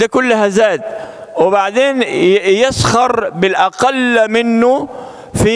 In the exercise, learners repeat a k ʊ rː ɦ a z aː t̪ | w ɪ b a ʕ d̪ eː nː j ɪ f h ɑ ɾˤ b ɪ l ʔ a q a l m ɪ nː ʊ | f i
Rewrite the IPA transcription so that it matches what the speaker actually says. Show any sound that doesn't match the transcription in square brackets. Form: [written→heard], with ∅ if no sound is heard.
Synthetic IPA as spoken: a k ʊ [rː→lː] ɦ a z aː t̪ | w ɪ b a ʕ d̪ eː [nː→n] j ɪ [f→s] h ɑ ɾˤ b ɪ l ʔ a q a l m ɪ nː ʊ | f i